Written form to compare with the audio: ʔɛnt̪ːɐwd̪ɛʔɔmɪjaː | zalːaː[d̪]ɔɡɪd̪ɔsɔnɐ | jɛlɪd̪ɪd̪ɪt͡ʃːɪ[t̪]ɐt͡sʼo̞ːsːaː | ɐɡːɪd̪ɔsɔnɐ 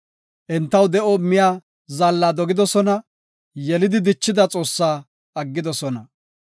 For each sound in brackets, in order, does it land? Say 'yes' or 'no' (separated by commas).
yes, no